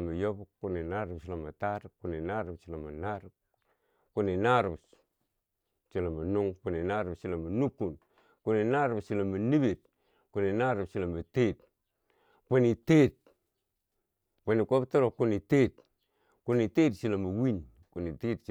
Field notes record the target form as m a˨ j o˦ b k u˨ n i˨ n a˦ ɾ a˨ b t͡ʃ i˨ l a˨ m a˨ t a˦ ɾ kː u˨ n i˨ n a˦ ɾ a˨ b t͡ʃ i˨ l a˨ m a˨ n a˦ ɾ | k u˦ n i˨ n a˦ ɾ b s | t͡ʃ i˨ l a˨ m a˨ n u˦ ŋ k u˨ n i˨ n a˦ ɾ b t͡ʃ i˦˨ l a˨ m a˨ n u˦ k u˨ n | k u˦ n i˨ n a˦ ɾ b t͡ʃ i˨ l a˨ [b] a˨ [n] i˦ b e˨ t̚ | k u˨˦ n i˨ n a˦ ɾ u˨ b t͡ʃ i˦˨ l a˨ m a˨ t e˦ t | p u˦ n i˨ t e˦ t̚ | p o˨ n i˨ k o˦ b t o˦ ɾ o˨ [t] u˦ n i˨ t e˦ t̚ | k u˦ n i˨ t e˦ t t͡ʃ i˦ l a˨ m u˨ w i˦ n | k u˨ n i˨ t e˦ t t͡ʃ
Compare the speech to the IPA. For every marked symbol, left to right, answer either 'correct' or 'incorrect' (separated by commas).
incorrect, correct, incorrect